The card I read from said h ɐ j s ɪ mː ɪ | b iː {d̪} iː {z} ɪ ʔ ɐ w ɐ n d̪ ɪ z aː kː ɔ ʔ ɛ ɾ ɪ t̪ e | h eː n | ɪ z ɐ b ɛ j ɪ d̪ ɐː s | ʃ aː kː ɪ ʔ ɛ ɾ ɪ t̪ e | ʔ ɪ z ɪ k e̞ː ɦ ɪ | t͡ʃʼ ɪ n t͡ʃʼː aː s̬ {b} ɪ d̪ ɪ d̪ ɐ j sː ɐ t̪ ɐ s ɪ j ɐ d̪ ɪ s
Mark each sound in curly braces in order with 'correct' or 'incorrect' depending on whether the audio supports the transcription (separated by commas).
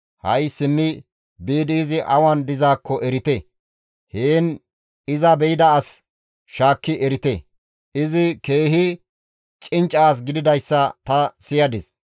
correct, correct, incorrect